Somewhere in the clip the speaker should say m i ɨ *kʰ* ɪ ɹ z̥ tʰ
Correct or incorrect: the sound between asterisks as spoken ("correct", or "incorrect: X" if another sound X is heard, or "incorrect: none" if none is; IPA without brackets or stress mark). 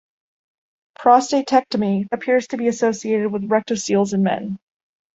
incorrect: pʰ